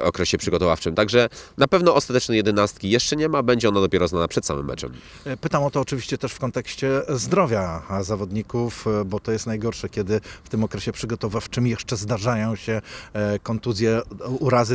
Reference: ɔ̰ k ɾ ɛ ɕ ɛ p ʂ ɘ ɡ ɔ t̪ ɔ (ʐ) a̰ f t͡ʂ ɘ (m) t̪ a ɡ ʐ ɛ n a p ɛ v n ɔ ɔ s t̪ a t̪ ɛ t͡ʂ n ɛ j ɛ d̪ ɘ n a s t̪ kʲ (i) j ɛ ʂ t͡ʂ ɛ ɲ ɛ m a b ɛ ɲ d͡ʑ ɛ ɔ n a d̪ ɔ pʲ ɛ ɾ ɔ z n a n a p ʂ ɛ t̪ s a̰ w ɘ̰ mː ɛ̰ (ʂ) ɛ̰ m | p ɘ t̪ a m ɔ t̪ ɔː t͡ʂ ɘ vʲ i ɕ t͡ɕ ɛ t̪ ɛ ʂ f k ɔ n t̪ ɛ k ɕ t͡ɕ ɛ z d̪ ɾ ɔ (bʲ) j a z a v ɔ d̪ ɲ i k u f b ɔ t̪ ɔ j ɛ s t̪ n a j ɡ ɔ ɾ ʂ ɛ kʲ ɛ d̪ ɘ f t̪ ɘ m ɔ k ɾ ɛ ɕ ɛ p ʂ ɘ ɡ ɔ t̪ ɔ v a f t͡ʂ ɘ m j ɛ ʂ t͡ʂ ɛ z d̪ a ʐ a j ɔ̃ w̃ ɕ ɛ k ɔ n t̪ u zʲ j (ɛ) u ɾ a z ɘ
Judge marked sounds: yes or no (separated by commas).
no, yes, yes, no, no, yes